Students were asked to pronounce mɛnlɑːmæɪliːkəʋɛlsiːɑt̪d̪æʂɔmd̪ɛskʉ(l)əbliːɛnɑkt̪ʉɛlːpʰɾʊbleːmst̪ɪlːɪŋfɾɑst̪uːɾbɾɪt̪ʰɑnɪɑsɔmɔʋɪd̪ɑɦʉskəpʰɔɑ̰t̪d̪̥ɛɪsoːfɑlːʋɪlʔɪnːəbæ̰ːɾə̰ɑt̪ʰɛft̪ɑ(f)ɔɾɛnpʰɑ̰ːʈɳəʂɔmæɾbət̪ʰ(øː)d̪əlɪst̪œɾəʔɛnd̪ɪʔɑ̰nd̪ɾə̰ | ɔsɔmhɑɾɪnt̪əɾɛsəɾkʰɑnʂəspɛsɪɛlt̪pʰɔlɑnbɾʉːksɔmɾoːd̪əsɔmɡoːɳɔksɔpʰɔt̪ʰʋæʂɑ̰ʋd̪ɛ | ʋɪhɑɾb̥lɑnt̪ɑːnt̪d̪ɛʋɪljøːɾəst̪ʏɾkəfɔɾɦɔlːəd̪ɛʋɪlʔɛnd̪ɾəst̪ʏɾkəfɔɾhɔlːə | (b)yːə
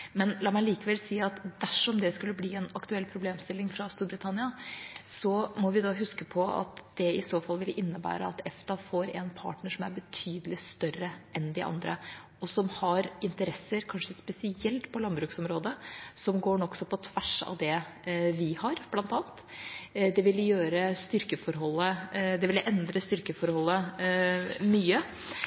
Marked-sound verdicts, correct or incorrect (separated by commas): incorrect, correct, incorrect, incorrect